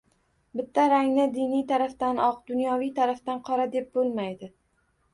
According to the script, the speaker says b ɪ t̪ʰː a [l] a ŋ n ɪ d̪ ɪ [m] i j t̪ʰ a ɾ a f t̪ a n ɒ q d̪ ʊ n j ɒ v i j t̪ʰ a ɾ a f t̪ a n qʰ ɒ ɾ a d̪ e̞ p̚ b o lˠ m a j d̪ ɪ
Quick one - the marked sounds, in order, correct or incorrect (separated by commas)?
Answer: incorrect, incorrect